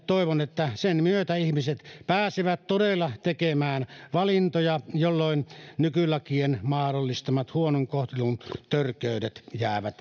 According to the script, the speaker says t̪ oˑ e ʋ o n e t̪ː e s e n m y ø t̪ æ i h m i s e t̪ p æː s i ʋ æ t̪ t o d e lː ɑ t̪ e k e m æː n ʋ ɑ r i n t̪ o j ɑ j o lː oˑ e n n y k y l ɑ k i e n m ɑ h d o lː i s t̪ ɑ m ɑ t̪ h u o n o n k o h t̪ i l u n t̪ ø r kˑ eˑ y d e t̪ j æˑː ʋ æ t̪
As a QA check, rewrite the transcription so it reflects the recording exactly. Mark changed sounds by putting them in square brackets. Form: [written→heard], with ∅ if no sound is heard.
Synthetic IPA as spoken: t̪ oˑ e ʋ o n e t̪ː [e→æ] s e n m y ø t̪ æ i h m i s e t̪ p æː s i ʋ æ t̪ t o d e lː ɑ t̪ e k e m æː n ʋ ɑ [r→l] i n t̪ o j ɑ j o lː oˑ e n n y k y l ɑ k i e n m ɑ h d o lː i s t̪ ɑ m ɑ t̪ h u o n o [n→ŋ] k o h t̪ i l u n t̪ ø r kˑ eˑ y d e t̪ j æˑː ʋ æ t̪